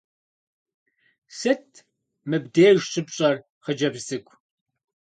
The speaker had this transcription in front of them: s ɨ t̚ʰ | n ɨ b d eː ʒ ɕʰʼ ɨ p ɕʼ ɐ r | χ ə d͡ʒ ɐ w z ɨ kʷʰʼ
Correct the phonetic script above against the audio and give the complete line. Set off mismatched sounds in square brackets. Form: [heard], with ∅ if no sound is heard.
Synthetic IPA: s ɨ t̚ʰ | [m] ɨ b d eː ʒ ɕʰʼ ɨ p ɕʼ ɐ r | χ ə d͡ʒ ɐ [b] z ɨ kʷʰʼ